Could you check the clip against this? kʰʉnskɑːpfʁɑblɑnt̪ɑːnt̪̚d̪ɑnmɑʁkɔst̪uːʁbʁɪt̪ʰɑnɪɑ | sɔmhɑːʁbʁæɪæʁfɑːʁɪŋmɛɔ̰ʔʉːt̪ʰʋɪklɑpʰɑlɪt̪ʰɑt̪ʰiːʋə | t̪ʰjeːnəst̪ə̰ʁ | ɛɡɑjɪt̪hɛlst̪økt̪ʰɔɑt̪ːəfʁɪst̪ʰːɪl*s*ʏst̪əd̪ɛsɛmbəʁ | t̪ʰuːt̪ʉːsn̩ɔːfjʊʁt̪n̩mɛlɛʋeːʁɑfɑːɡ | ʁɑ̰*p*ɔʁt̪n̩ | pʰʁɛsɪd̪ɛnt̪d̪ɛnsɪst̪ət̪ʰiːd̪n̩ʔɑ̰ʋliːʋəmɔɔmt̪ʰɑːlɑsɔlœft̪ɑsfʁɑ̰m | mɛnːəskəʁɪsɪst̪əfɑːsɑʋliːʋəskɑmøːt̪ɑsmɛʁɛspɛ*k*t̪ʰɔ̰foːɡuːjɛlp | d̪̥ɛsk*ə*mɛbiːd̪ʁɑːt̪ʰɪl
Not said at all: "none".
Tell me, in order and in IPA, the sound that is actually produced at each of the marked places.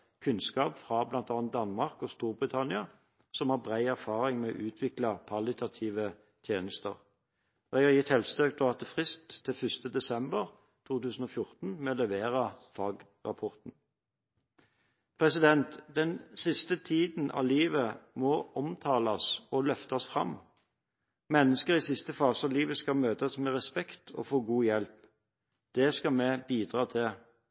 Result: f, pʰ, k, ɑ

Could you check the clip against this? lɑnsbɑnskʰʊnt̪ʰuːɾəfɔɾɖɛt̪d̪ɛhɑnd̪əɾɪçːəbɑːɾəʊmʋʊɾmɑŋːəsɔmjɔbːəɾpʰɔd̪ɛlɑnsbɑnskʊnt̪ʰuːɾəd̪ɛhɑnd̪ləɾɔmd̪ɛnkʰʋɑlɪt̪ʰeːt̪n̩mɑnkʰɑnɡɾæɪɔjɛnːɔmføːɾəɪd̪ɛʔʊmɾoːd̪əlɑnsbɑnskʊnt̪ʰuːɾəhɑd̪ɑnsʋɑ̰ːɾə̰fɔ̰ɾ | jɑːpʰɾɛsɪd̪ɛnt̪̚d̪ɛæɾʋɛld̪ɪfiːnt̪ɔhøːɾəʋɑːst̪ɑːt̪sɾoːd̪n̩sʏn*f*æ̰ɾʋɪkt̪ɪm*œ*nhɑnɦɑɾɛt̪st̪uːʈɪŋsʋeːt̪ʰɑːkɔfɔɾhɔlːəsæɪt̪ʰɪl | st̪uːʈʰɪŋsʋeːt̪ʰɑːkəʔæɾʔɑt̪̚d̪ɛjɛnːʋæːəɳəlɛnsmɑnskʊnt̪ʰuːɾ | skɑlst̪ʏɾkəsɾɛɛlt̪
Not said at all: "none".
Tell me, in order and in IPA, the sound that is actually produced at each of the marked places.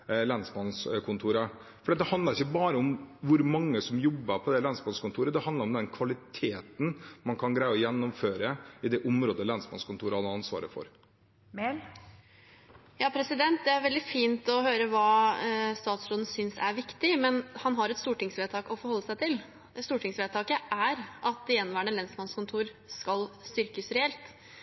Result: s, ɛ

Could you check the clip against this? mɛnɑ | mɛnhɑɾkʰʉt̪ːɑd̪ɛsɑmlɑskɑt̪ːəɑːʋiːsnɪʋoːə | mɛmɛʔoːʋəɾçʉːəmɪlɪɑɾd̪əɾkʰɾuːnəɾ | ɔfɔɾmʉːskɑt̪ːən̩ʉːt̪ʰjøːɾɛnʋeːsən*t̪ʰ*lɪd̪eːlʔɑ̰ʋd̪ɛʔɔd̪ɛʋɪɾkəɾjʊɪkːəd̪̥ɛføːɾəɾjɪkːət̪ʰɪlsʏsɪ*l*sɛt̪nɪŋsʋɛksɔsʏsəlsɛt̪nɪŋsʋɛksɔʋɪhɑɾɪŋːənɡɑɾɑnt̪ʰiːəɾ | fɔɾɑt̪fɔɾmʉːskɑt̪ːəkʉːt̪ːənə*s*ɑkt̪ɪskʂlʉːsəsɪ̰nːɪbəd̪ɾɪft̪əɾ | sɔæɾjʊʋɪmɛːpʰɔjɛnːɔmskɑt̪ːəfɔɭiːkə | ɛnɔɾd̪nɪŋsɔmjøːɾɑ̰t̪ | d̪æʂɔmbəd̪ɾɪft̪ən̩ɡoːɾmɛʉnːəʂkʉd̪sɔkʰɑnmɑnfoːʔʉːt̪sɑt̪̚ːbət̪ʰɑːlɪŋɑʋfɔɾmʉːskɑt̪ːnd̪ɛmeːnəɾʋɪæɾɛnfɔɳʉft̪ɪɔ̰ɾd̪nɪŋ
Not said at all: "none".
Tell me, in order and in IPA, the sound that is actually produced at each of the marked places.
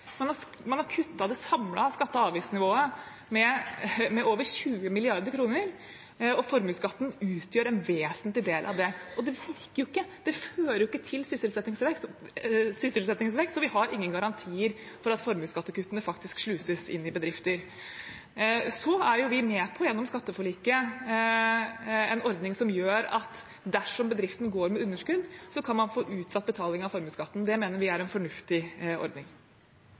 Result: t̪, l, f

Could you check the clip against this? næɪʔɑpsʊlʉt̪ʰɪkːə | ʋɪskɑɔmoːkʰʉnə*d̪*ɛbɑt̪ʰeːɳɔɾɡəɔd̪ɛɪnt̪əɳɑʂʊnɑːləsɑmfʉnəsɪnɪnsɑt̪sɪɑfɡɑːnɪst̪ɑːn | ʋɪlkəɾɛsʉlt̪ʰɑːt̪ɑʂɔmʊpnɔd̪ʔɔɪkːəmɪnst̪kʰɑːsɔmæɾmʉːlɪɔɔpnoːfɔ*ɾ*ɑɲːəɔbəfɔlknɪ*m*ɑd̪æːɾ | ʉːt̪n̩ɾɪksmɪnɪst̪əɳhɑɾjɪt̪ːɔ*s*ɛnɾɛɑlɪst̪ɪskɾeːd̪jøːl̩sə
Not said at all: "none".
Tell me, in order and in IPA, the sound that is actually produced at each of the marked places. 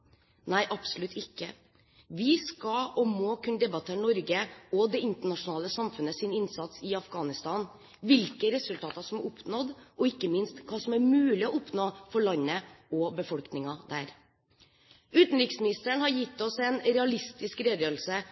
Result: d̪, ɭ, ŋ, s

